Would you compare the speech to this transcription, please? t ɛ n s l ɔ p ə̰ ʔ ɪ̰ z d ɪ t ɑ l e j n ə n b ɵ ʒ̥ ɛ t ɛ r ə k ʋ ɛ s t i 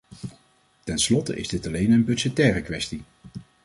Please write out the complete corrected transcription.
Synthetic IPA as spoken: t ɛ n s l ɔ t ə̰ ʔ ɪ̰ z d ɪ t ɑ l e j n ə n b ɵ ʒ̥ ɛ t ɛː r ə k ʋ ɛ s t i